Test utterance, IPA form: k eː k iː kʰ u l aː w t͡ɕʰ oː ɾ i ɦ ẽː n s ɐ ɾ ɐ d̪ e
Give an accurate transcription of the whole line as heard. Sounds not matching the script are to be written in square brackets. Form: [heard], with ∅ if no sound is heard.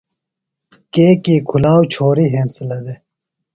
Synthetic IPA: k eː k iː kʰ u l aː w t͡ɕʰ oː ɾ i ɦ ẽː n s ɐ [l] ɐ d̪ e